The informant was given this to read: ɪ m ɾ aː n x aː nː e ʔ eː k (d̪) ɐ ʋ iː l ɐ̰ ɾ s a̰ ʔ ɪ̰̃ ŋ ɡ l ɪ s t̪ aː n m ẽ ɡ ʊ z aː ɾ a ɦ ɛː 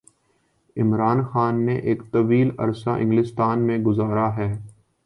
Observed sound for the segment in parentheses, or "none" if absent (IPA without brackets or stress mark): t̪